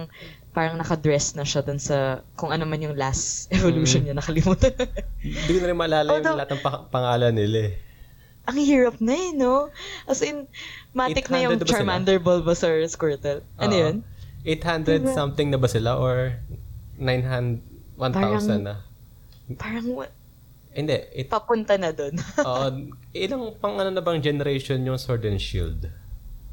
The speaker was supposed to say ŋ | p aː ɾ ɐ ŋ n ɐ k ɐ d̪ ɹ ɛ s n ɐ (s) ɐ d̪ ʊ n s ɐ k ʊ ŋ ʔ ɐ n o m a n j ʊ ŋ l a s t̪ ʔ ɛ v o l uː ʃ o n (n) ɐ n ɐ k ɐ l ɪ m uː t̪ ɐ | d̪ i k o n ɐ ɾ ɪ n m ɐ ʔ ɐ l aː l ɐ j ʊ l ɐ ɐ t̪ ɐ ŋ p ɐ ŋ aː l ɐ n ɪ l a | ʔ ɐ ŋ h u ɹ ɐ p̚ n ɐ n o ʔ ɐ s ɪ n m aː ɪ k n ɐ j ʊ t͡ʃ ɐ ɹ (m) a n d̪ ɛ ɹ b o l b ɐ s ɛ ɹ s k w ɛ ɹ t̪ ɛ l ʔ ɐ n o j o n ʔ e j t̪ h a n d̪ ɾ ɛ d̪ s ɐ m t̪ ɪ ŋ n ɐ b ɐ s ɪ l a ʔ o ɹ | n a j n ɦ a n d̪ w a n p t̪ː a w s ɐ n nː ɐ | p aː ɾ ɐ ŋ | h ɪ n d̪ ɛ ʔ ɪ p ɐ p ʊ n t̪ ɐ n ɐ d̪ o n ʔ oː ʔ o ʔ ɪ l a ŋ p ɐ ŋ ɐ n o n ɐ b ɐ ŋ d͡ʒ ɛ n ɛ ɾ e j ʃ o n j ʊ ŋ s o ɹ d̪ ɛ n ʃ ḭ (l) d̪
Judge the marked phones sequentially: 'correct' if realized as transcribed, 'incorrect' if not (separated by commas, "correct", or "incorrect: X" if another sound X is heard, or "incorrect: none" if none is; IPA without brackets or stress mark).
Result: incorrect: ʃ, incorrect: ɲ, correct, correct